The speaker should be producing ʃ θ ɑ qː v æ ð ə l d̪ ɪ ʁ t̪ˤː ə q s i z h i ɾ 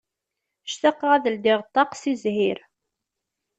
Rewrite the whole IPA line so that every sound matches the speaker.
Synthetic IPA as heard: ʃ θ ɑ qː ʁ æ ð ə l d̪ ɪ ʁ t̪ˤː ɑ q s i z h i ɾ